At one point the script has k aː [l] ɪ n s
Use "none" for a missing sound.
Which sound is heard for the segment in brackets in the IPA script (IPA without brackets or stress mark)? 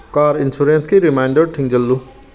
ɾ